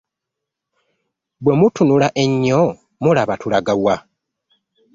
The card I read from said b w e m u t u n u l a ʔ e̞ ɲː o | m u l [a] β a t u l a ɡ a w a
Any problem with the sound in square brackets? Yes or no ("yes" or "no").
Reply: no